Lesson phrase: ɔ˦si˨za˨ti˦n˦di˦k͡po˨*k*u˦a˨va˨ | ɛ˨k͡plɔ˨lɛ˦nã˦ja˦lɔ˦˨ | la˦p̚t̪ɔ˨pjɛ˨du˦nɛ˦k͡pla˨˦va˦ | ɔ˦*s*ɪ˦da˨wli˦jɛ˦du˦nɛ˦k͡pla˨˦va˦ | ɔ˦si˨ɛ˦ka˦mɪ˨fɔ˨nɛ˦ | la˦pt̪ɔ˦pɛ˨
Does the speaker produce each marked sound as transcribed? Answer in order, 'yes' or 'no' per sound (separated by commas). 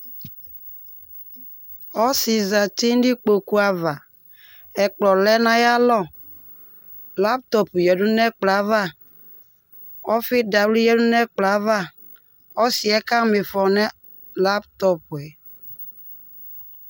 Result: yes, no